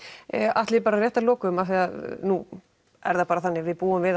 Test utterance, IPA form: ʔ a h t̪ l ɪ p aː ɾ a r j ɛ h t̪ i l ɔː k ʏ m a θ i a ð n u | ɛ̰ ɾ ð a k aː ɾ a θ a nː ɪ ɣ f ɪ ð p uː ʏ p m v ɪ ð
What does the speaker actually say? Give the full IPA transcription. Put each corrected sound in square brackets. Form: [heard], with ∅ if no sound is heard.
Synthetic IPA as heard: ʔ a h t̪ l ɪ p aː ɾ a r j ɛ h t̪ [a] l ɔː k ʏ m a θ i a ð n u | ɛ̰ ɾ ð a [p] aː ɾ a θ a nː ɪ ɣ [v] ɪ ð p uː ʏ [∅] m v ɪ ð